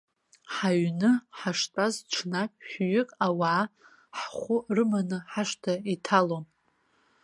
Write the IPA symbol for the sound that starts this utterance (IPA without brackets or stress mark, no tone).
ħ